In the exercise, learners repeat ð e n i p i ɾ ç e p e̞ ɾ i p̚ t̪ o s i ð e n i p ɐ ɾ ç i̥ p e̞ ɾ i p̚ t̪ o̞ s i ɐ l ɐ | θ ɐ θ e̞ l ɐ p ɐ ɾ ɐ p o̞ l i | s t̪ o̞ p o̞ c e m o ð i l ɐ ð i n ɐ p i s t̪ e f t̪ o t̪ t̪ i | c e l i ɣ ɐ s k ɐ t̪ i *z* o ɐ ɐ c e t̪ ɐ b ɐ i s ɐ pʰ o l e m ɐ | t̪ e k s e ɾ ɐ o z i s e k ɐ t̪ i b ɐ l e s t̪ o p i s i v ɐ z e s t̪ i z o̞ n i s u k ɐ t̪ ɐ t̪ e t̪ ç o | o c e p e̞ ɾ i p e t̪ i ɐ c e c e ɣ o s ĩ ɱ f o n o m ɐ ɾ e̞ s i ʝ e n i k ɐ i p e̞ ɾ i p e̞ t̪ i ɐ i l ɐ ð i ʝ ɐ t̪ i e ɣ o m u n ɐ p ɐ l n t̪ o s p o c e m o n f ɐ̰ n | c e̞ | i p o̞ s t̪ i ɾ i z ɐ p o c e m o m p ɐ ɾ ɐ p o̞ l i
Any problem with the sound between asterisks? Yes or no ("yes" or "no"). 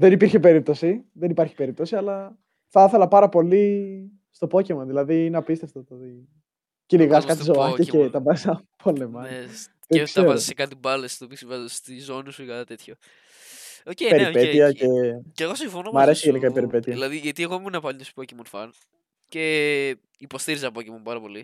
no